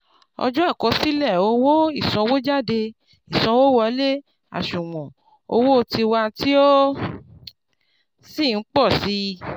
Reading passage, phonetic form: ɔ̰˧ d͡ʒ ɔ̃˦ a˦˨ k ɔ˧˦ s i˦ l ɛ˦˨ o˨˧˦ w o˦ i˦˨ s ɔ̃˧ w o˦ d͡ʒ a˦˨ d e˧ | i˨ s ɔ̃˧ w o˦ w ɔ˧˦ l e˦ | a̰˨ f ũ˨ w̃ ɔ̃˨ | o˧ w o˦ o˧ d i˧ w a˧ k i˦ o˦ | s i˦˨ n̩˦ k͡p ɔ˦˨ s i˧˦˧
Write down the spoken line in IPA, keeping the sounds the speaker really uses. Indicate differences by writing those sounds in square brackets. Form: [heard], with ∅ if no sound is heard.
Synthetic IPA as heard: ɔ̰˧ d͡ʒ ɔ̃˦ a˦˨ k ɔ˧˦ s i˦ l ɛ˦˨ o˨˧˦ w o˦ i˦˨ s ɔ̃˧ w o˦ d͡ʒ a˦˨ d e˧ | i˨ s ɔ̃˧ w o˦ w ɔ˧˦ l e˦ | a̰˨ [ʃ] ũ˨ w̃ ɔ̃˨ | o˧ w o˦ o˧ [t] i˧ w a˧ [t] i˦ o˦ | s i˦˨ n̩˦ k͡p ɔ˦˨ s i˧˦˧